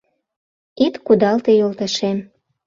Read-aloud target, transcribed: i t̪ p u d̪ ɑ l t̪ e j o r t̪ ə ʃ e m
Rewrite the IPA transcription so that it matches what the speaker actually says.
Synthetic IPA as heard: i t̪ k u d̪ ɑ l t̪ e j o l t̪ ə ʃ e m